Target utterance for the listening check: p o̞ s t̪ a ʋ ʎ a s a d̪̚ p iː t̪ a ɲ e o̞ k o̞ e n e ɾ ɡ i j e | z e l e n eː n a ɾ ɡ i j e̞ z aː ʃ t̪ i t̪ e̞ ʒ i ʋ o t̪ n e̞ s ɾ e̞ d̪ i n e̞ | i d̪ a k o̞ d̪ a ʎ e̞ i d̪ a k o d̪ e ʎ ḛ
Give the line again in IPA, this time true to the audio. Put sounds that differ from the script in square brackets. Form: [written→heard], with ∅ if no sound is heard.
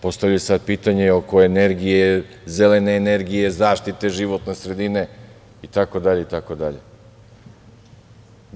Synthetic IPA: p o̞ s t̪ a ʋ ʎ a s a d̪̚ p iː t̪ a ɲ e o̞ k o̞ e n e ɾ ɡ i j e | z e l e n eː n [a→e] ɾ ɡ i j e̞ z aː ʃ t̪ i t̪ e̞ ʒ i ʋ o t̪ n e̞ s ɾ e̞ d̪ i n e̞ | i [d̪→t̪] a k o̞ d̪ a ʎ e̞ i [d̪→t̪] a k o d̪ [e→a] ʎ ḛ

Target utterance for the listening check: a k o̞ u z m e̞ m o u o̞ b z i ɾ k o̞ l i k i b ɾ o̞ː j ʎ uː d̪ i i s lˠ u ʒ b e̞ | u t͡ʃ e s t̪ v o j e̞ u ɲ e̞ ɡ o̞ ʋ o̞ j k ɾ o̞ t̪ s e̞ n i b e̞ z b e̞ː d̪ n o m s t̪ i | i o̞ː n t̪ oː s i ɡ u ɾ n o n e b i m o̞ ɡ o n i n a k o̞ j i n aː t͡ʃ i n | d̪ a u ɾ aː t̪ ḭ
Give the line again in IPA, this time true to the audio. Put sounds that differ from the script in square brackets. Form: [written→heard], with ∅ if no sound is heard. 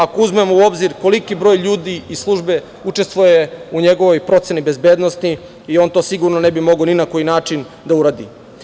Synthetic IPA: a k o̞ u z m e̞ m o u o̞ b z i ɾ k o̞ l i k i b ɾ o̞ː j ʎ uː d̪ i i s lˠ u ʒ b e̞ | u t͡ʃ e s t̪ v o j e̞ u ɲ e̞ ɡ o̞ ʋ o̞ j [k→p] ɾ o̞ t̪ s e̞ n i b e̞ z b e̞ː d̪ n o [m→∅] s t̪ i | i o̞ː n t̪ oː s i ɡ u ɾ n o n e b i m o̞ ɡ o n i n a k o̞ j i n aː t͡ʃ i n | d̪ a u ɾ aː [t̪→d̪] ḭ

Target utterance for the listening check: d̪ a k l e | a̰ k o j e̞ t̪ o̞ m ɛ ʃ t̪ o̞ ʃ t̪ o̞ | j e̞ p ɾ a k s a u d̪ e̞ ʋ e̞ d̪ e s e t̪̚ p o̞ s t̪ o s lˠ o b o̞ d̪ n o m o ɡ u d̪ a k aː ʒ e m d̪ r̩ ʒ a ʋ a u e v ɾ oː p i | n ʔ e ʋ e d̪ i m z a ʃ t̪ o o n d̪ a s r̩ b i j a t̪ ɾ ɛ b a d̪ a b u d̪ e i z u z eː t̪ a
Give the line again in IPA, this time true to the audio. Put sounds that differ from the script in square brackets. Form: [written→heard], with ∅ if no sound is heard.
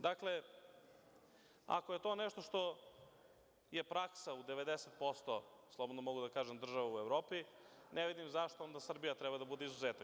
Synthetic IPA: d̪ a k l e | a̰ k o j e̞ t̪ o̞ [m→n] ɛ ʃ t̪ o̞ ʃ t̪ o̞ | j e̞ p ɾ a k s a u d̪ e̞ ʋ e̞ d̪ e s e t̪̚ p o̞ s t̪ o s lˠ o b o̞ d̪ n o m o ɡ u d̪ a k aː ʒ e m d̪ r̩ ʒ a ʋ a u e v ɾ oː p i | n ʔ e ʋ [e→i] d̪ i m z a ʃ t̪ o o n d̪ a s r̩ b i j a t̪ ɾ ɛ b a d̪ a b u d̪ e i z u z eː t̪ a

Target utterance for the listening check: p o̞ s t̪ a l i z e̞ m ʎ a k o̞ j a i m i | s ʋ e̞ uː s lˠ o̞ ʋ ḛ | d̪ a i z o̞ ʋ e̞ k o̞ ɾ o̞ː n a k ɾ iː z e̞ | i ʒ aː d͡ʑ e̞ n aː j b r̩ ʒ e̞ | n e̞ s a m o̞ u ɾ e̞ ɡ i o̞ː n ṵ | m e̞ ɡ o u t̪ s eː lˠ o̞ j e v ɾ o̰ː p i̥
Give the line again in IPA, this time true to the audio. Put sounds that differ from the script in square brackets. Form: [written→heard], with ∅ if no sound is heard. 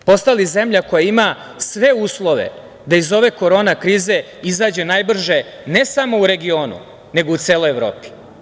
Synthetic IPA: p o̞ s t̪ a l i z e̞ m ʎ a k o̞ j a i m [i→a] | s ʋ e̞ uː s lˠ o̞ ʋ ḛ | d̪ a i z o̞ ʋ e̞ k o̞ ɾ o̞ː n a k ɾ iː z e̞ | i [ʒ→z] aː d͡ʑ e̞ n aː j b r̩ ʒ e̞ | n e̞ s a m o̞ u ɾ e̞ ɡ i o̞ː n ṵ | [m→n] e̞ ɡ o u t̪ s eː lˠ o̞ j e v ɾ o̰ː p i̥

